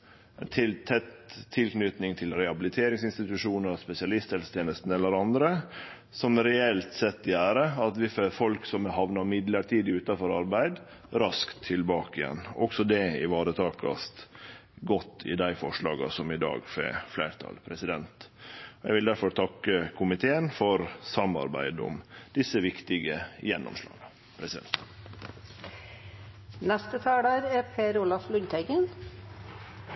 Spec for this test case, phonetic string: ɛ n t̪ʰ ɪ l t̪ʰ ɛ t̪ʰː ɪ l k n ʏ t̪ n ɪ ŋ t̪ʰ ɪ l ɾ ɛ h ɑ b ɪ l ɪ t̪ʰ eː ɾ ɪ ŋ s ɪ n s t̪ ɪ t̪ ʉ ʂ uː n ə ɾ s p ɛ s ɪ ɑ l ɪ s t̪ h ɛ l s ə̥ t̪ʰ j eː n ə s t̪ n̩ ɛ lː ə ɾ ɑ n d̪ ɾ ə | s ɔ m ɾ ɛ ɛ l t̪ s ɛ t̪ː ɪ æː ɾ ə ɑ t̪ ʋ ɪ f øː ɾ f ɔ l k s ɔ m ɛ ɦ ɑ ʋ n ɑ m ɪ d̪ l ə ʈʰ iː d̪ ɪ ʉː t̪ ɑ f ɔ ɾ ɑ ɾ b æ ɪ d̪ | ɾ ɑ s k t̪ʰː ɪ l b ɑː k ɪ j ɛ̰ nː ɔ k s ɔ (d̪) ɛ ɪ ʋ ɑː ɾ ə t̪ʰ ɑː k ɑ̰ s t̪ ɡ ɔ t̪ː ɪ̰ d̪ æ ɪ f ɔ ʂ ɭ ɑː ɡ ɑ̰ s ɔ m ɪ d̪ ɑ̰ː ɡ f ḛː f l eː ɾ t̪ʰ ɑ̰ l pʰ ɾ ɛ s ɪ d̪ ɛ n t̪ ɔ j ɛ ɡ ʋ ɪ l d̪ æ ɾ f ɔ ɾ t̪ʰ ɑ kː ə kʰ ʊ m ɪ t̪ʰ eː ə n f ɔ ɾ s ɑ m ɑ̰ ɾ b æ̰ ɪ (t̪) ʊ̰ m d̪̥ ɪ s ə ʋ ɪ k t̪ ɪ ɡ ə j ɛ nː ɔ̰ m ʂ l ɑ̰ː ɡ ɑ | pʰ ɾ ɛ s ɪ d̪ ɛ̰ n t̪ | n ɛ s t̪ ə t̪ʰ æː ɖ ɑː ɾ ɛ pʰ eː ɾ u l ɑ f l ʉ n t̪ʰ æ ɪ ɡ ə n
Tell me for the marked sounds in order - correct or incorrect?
correct, incorrect: d̪

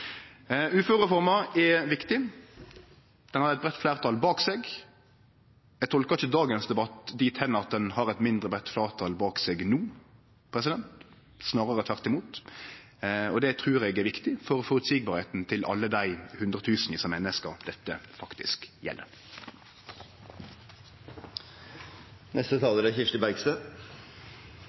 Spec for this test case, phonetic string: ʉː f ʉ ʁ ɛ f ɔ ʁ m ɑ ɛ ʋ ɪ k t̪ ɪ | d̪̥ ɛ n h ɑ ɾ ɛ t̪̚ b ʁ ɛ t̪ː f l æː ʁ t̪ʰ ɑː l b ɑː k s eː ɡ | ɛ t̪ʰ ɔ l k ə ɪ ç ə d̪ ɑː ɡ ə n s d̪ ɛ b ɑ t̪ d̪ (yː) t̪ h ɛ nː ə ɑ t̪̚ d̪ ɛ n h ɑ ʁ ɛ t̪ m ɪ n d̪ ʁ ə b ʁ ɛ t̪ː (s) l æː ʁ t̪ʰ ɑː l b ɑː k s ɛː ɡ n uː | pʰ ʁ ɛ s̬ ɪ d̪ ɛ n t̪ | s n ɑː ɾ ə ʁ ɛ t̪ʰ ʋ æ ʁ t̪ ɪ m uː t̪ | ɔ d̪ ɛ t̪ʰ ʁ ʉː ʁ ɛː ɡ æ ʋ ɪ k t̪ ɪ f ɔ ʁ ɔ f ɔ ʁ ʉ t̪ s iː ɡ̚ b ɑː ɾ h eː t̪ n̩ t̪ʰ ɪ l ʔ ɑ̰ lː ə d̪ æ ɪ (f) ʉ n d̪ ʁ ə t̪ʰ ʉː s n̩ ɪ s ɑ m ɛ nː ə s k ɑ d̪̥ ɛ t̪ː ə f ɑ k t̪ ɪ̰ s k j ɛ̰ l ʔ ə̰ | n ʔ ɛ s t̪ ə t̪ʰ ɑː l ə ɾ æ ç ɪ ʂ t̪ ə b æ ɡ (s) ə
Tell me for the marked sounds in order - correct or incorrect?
incorrect: iː, incorrect: f, incorrect: h, correct

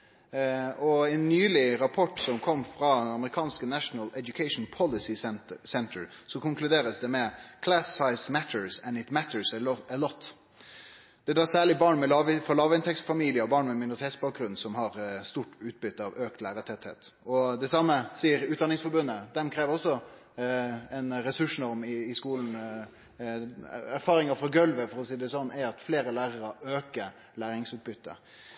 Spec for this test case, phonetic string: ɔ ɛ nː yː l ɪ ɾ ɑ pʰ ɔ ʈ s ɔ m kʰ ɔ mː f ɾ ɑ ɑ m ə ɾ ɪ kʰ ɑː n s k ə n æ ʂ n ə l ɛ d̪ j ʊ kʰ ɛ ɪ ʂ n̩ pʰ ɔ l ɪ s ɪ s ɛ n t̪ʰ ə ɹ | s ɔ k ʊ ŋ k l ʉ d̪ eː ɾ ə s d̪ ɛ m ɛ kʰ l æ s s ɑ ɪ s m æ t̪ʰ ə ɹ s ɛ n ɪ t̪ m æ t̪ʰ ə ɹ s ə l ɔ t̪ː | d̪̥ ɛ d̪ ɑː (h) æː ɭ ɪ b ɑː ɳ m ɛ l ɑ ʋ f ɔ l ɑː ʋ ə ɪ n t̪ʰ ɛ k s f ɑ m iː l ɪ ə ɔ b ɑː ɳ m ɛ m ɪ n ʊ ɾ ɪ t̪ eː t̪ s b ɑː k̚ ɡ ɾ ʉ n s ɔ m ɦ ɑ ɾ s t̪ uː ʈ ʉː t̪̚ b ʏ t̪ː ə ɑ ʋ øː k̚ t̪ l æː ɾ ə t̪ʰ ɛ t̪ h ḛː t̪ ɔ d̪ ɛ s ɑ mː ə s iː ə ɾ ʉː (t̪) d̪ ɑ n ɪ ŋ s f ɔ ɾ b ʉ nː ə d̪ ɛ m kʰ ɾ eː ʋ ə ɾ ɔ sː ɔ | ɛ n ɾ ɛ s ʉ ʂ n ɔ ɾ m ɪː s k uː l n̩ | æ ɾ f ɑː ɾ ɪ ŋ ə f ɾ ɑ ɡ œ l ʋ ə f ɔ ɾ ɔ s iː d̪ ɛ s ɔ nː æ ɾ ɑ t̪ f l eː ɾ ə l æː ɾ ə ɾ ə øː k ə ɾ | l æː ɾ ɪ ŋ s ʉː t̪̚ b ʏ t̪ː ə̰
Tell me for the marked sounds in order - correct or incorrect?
incorrect: s, correct

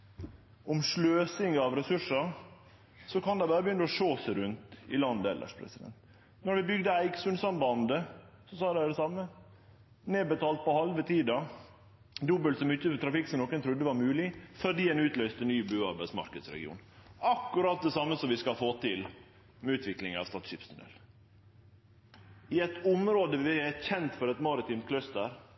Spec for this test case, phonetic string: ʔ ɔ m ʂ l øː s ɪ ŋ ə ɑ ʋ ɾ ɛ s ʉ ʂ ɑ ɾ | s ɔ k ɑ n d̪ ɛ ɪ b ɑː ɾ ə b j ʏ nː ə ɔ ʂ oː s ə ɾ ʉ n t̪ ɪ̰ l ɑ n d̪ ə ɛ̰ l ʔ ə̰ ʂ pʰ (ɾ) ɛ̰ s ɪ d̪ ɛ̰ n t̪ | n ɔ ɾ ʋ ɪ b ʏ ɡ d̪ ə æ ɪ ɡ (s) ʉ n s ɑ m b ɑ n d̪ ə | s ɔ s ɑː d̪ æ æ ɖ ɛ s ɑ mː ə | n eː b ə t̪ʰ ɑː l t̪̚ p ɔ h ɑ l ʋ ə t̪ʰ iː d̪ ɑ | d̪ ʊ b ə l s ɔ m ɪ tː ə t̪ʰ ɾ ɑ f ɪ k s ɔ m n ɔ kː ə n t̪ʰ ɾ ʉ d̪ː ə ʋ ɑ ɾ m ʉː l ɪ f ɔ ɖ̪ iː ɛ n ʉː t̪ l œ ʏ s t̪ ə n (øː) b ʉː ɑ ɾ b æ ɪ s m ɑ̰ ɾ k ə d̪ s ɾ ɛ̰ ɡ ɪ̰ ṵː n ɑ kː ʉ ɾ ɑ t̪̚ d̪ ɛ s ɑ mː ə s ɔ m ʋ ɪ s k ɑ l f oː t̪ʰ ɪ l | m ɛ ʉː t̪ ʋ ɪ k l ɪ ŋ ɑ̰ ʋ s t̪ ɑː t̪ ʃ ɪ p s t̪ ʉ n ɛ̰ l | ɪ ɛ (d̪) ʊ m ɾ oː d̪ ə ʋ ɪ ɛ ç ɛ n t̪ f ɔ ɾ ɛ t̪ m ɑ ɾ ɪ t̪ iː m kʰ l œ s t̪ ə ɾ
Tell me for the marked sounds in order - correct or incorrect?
correct, correct, incorrect: yː, incorrect: t̪

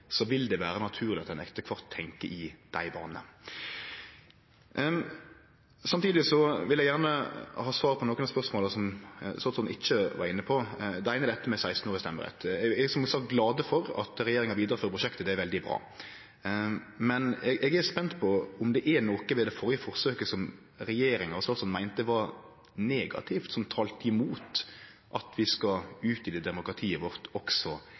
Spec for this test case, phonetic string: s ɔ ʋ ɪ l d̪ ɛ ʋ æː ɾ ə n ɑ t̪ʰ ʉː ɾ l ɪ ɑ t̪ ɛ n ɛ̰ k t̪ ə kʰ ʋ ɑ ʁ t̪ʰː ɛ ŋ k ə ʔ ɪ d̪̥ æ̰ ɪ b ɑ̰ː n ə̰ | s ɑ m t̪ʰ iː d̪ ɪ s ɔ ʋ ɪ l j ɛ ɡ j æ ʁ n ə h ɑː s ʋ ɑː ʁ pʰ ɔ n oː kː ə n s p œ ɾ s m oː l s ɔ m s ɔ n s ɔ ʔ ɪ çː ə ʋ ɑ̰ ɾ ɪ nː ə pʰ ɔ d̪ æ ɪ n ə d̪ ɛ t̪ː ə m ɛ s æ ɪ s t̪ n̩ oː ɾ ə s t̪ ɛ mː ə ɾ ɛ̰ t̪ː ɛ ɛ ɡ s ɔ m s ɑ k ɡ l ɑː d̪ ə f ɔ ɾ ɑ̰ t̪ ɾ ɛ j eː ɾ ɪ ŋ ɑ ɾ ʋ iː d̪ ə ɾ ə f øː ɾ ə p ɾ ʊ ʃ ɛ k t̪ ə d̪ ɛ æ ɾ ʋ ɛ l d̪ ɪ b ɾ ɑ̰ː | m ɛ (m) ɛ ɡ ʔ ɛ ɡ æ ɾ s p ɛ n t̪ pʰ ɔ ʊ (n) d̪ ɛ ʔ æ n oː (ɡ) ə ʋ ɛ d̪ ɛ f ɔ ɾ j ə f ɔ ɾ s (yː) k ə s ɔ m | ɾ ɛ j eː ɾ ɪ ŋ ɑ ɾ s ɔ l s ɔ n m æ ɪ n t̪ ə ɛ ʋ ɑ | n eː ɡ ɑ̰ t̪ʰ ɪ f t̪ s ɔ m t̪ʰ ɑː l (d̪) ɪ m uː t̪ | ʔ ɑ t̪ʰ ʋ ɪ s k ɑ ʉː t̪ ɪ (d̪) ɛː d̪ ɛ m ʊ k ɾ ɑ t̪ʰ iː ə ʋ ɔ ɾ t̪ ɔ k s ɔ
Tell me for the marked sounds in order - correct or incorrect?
incorrect: n, incorrect: m, incorrect: k, incorrect: øː, incorrect: t̪, correct

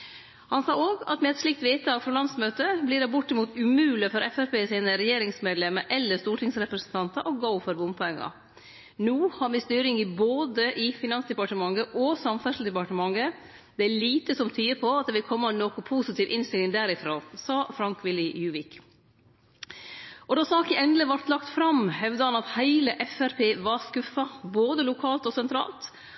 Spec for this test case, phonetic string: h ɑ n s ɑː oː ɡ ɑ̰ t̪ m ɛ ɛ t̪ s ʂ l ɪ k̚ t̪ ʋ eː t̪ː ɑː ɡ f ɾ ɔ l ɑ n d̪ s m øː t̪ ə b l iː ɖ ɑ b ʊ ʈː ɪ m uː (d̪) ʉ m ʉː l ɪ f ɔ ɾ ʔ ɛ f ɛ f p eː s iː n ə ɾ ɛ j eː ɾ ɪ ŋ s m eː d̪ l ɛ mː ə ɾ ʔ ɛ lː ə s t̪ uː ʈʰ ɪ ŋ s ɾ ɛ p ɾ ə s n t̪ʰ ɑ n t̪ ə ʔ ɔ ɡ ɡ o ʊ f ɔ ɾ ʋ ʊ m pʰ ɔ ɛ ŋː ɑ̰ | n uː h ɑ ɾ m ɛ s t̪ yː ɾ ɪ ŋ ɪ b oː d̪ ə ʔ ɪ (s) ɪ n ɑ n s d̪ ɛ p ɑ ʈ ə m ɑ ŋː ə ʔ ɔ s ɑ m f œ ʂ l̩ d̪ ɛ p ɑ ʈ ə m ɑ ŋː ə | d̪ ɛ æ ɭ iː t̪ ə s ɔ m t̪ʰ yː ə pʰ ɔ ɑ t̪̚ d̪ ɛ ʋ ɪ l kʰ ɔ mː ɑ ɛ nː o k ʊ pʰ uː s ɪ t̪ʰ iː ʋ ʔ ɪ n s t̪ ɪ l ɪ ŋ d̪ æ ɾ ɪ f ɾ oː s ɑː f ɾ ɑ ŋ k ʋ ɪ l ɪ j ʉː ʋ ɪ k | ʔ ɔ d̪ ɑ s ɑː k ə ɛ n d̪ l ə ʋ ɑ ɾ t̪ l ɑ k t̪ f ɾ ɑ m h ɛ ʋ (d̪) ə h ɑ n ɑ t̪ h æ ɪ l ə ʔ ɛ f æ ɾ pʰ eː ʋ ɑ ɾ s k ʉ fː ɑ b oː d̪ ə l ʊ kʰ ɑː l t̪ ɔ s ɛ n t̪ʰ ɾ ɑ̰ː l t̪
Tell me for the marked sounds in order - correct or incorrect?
incorrect: t̪, incorrect: f, correct

